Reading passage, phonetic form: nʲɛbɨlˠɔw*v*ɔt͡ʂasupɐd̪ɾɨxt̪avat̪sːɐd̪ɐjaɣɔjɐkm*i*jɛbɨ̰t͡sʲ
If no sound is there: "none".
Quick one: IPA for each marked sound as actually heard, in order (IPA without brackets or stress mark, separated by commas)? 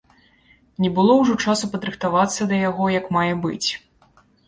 ʐ, a